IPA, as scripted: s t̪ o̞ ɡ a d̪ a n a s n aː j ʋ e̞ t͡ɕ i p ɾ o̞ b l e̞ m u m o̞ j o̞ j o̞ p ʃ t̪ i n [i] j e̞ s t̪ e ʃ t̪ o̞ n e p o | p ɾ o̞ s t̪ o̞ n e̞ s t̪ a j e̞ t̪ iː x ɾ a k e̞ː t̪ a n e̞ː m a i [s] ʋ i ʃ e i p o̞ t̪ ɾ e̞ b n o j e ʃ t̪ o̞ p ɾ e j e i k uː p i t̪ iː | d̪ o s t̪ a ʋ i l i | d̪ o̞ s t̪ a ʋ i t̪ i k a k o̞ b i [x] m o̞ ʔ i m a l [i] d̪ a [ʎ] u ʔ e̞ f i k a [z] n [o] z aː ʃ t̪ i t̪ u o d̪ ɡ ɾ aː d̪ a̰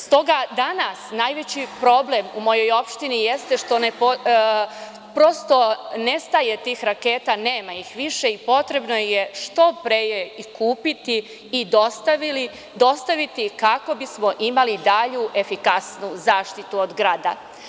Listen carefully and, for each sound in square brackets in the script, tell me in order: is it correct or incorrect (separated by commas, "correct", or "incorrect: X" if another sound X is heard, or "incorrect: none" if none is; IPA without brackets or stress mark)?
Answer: correct, incorrect: x, incorrect: s, correct, correct, incorrect: s, incorrect: u